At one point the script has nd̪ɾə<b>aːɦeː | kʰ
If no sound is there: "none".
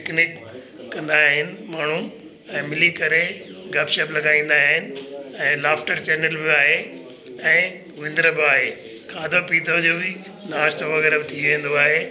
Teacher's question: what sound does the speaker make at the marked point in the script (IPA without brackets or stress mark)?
b